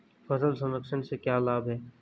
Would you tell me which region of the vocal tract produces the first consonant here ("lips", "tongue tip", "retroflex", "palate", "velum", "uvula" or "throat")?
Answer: lips